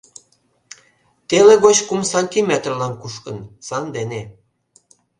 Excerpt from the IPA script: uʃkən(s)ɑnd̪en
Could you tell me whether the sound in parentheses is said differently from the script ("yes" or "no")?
no